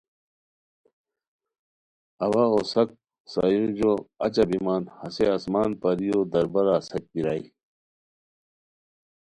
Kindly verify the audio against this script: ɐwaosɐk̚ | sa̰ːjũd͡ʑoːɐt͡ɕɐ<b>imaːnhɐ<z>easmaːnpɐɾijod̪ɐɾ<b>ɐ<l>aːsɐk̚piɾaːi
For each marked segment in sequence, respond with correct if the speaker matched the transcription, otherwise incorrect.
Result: correct, incorrect, correct, incorrect

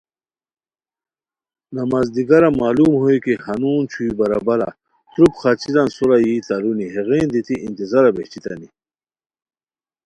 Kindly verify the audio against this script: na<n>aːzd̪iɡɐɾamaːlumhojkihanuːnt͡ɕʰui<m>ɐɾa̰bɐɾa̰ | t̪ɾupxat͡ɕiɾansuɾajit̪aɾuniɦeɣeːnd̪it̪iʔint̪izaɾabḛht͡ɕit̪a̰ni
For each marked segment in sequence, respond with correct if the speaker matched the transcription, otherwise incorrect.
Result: incorrect, incorrect

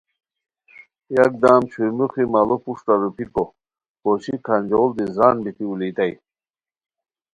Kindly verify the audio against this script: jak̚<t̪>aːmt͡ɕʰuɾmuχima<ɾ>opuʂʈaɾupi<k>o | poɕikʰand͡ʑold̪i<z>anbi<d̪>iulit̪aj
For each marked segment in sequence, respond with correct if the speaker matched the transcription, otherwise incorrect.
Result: incorrect, incorrect, correct, correct, incorrect

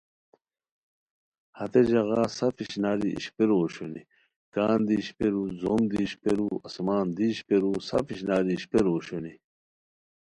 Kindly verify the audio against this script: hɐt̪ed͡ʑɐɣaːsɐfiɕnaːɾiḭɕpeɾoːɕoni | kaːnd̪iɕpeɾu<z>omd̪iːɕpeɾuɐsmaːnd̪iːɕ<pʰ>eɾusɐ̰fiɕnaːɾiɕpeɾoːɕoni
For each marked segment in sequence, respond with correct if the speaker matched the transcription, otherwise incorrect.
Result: correct, incorrect

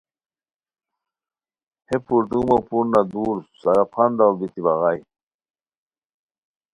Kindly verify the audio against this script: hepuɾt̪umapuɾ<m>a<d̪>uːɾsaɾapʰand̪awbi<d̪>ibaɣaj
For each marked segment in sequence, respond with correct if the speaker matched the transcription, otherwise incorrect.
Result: incorrect, correct, incorrect

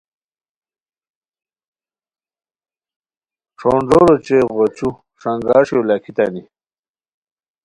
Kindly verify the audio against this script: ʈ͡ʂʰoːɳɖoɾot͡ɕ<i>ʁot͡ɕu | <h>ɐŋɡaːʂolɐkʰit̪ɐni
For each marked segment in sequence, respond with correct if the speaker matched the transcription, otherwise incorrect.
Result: incorrect, incorrect

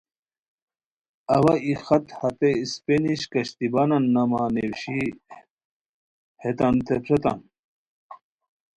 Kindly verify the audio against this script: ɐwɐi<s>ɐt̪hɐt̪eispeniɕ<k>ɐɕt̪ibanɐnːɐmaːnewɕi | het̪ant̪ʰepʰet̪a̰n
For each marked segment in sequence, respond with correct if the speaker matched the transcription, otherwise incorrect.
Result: incorrect, correct

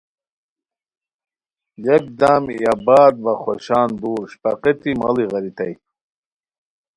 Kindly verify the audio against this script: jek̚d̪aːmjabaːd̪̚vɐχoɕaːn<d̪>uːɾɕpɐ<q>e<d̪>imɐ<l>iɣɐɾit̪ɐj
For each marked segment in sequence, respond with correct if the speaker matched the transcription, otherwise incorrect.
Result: correct, correct, incorrect, correct

